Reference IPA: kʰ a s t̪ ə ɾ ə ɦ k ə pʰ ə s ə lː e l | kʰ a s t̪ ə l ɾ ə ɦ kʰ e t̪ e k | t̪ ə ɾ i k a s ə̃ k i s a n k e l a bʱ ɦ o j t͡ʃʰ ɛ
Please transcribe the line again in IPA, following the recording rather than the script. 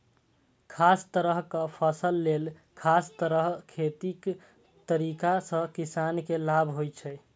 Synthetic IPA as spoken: kʰ a s t̪ ə ɾ ə ɦ k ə pʰ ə s ə lː e l | kʰ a s t̪ ə ɾ ə ɦ kʰ e t̪ i k | t̪ ə ɾ i k a s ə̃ k i s a n k e l a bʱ ɦ o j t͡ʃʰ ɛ